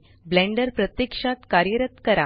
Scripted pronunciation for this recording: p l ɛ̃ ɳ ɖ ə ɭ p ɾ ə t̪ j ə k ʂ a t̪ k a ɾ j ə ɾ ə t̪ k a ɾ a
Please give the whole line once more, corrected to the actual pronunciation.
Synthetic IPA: b l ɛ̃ ɳ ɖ ə ɾ p ɾ ə t̪ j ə k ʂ a t̪ k a ɾ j ə ɾ ə t̪ k ə ɾ a

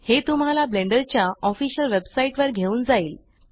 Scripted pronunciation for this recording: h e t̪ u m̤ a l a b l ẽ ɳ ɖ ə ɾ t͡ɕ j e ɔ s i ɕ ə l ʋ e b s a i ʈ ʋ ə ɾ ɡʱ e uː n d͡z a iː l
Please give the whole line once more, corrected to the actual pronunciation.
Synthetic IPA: h e t̪ u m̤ a l a b l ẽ ɳ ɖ ə ɾ t͡ɕ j a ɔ f i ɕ ə l ʋ e b s a i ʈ ʋ ə ɾ ɡʱ e uː n d͡z a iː l

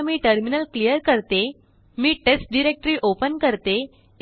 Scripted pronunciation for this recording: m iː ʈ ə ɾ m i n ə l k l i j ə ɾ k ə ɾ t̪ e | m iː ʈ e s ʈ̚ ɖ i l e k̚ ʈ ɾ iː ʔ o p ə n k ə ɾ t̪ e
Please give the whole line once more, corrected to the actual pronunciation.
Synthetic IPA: m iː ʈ ə ɾ m i n ə l k l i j ə ɾ k ə ɾ t̪ e | m iː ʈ e s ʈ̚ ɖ i ɾ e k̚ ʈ ɾ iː ʔ o p ə n k ə ɾ t̪ e

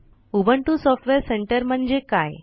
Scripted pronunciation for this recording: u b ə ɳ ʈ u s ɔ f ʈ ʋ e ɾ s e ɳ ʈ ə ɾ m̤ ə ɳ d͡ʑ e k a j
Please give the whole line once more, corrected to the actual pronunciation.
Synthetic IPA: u b ə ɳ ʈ u s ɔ f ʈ ʋ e ɾ s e ɳ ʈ ə ɾ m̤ ə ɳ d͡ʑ e k a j

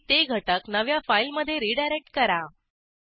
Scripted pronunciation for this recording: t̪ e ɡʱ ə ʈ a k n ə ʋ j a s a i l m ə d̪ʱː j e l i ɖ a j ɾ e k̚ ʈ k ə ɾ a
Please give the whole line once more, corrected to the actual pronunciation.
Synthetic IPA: t̪ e ɡʱ ə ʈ ə k n ə ʋ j a f a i l m ə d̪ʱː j e ɾ i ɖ a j ɾ e k̚ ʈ k ə ɾ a

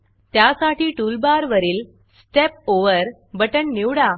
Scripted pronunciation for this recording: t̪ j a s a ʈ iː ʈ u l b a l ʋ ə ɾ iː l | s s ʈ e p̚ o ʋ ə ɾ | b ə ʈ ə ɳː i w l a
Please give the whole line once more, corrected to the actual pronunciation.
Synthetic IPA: t̪ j a s a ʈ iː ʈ u l b a ɾ ʋ ə ɾ iː l | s s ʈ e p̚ o ʋ ə ɾ | b ə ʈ ə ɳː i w ɽ a

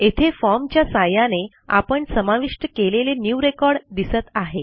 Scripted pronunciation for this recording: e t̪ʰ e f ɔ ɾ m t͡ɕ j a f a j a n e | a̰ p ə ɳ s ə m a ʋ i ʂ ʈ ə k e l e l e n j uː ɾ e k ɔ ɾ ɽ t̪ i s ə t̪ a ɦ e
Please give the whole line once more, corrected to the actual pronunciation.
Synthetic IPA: e t̪ʰ e f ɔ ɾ m t͡ɕ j a s a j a n e | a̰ p ə ɳ s ə m a ʋ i ʂ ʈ ə k e l e l e n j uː ɾ e k ɔ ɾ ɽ d̪ i s ə t̪ a ɦ e

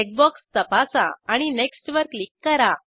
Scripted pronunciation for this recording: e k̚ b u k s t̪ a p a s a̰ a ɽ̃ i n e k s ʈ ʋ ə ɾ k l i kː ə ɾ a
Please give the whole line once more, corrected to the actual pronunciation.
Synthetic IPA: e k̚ b ɔ k s t̪ ə p a s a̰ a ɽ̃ i n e k s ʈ ʋ ə ɾ k l i kː ə ɾ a

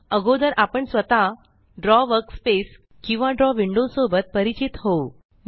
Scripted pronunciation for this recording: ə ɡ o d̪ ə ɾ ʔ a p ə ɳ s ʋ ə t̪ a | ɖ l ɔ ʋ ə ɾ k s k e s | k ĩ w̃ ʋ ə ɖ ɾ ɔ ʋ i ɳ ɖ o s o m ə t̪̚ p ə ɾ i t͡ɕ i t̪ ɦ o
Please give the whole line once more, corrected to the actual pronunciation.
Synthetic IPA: ə ɡ o d̪ ə ɾ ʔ a p ə ɳ s ʋ ə t̪ a | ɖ ɾ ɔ ʋ ə ɾ k s p e s | k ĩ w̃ ʋ a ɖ ɾ ɔ ʋ i ɳ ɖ o s o b ə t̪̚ p ə ɾ i t͡ɕ i t̪ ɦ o

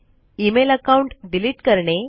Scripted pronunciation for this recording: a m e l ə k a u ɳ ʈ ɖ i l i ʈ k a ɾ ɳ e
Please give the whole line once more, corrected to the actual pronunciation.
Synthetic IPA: i m e l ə k a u ɳ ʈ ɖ i l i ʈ k ə ɾ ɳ e

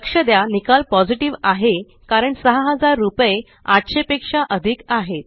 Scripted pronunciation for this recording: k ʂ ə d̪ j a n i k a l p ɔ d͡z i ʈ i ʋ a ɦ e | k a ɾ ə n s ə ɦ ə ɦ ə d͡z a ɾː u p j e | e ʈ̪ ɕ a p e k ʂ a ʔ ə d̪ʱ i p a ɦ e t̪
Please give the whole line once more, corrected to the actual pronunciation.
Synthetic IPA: k ʂ ə d̪ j a n i k a l p ɔ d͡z i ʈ i ʋ a ɦ e | k a ɾ ə ɳ s ə ɦ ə ɦ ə d͡z a ɾː u p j e | a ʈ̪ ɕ e p e k ʂ a ʔ ə d̪ʱ i k a ɦ e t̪

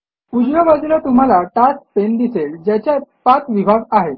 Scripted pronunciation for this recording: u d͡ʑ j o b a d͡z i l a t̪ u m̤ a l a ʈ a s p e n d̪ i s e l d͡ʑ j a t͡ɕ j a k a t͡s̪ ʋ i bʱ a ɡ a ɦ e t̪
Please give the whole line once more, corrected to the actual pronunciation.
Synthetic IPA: u d͡ʑ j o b a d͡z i l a t̪ u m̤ a l a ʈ a s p e n d̪ i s e l d͡ʑ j a t͡ɕ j a p a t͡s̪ ʋ i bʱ a ɡ a ɦ e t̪

